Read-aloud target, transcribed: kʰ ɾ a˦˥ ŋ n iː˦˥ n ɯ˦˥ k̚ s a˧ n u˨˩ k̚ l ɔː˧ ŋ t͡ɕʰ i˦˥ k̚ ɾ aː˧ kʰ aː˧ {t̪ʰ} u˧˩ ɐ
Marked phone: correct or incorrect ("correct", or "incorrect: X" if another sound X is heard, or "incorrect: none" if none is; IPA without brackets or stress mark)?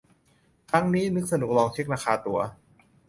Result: incorrect: t̪